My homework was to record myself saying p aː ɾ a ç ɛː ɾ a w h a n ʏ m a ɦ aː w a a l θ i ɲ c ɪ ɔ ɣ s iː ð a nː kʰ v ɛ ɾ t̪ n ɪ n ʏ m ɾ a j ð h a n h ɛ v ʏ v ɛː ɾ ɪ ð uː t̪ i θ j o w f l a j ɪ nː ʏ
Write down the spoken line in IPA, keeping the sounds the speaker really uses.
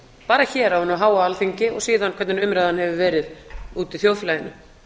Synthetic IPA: p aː ɾ a ç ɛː ɾ a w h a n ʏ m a ɦ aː w a a l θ i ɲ c ɪ ɔ ɣ s iː ð a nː kʰ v ɛ ɾ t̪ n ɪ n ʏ m ɾ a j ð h a n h ɛ v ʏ v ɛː ɾ ɪ ð uː t̪ i θ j o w f l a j ɪ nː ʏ